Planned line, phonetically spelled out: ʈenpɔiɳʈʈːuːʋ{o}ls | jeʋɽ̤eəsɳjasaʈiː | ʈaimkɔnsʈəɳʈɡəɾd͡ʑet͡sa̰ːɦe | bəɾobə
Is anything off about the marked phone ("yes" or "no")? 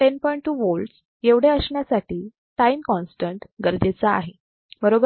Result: no